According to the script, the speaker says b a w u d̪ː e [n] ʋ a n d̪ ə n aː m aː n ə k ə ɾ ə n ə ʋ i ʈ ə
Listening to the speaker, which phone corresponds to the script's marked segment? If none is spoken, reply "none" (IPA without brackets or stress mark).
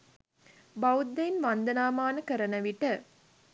n